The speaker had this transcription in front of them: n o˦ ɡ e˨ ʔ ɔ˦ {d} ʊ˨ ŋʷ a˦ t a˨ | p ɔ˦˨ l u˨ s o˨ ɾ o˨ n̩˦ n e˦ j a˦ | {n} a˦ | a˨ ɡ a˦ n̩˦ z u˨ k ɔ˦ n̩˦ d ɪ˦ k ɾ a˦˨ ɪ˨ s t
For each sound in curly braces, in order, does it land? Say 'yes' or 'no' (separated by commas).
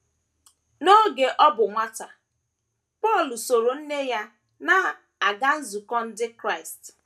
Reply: no, yes